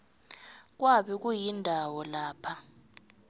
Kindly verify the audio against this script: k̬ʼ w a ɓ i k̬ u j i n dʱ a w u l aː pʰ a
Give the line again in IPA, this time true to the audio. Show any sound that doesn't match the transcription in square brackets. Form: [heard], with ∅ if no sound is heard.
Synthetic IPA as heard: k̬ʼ w a ɓ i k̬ u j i n dʱ a w [ɔ] l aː pʰ a